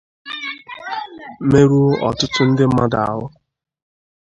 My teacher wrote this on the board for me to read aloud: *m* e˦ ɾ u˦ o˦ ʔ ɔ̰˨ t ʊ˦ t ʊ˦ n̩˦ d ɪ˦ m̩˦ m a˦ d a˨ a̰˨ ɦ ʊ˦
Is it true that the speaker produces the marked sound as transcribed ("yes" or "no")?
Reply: yes